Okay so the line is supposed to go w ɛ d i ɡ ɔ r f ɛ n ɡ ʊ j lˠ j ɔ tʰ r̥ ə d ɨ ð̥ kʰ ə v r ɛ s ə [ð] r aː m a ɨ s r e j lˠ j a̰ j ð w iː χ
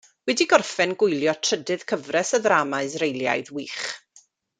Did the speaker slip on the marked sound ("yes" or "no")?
no